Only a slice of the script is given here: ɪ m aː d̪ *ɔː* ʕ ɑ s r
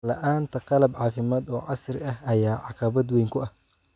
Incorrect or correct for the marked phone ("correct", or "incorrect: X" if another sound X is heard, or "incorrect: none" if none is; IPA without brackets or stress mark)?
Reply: correct